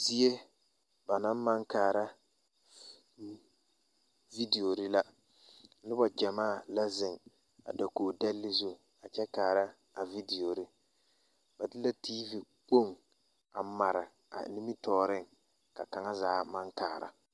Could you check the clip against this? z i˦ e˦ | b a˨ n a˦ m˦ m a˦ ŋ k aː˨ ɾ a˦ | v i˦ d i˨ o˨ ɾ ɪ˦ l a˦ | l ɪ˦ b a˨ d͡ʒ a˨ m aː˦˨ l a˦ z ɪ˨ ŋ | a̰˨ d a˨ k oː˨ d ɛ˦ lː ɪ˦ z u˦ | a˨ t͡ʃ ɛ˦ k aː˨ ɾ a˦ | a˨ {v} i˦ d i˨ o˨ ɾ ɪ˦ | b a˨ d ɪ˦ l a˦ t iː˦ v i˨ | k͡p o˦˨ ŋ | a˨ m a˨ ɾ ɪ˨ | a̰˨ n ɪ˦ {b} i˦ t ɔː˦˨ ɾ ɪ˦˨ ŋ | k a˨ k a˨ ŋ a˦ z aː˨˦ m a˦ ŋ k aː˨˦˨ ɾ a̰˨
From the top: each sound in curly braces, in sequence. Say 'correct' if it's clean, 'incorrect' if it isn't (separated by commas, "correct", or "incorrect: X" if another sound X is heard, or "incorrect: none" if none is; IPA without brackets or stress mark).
correct, incorrect: m